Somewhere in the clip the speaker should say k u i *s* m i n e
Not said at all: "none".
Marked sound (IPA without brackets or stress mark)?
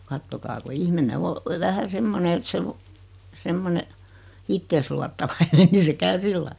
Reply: h